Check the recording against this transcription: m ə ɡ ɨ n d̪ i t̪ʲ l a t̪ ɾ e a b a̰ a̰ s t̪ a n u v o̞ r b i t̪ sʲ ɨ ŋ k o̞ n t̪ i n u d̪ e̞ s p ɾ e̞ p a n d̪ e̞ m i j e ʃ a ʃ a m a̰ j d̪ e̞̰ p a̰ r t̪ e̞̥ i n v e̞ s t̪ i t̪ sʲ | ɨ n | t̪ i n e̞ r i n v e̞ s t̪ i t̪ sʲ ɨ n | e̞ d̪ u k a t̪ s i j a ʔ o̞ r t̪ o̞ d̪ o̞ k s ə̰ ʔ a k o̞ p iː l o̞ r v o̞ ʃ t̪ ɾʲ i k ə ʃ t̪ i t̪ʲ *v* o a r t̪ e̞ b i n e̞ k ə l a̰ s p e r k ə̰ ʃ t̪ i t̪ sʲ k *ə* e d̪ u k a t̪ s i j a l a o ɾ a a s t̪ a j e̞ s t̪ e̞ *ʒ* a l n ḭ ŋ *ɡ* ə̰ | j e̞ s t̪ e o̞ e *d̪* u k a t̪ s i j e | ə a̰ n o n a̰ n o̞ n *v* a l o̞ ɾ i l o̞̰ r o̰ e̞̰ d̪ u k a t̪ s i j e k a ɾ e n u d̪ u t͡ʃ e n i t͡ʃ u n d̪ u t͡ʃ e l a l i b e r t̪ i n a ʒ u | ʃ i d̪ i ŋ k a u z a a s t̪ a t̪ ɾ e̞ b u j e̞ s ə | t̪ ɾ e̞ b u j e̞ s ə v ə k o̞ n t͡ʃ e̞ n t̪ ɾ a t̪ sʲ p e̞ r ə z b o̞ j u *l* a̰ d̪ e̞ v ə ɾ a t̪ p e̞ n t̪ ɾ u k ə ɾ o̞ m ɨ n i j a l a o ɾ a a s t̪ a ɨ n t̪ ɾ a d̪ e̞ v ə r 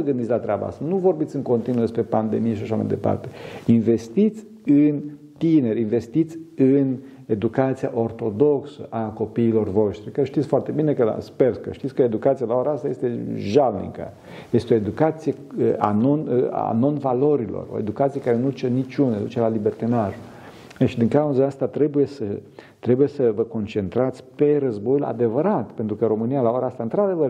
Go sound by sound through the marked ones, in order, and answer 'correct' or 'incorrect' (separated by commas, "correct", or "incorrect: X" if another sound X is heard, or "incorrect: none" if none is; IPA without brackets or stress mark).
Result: incorrect: f, correct, correct, incorrect: k, correct, correct, correct